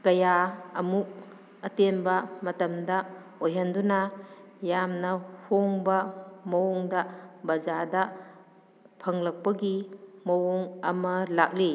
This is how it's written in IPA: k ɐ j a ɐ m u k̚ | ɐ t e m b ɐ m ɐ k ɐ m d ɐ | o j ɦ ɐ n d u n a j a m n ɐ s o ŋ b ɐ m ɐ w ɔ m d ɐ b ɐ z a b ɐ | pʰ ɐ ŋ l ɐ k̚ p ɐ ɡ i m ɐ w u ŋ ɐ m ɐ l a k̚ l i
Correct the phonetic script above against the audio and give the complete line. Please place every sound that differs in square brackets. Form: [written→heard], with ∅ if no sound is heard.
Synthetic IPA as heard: k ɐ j a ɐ m u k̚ | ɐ t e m b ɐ m ɐ [k→t] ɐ m d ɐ | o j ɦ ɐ n d u n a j a m n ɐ [s→h] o ŋ b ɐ m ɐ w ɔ [m→ŋ] d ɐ b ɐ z a [b→d] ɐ | pʰ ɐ ŋ l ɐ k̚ p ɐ ɡ i m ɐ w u ŋ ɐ m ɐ l a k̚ l i